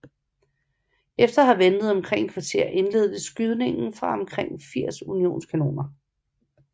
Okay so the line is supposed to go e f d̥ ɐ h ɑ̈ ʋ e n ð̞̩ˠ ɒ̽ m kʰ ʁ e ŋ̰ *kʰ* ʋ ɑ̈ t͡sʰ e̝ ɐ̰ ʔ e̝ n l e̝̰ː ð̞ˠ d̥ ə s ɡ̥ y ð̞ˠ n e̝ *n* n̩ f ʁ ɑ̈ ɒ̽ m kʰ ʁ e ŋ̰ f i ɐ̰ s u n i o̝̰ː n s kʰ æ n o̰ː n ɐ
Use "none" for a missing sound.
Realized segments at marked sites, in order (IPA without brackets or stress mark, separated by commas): kʰ, ŋ